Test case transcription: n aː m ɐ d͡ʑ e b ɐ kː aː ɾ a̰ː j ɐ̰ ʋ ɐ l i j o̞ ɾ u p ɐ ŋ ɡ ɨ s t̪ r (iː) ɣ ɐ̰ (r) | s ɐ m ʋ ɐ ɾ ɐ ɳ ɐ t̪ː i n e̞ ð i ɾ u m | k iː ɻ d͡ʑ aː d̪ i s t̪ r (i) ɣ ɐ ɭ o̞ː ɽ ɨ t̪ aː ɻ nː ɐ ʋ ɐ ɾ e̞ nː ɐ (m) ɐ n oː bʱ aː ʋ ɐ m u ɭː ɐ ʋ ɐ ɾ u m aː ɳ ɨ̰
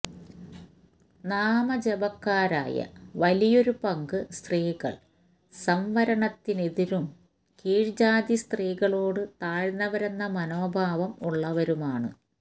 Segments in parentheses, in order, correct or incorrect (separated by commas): correct, incorrect, incorrect, correct